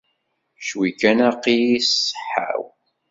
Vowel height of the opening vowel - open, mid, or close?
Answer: close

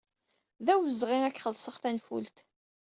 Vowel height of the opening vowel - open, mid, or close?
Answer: open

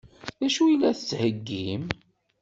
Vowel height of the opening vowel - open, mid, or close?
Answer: open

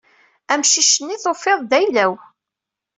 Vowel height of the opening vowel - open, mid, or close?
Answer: open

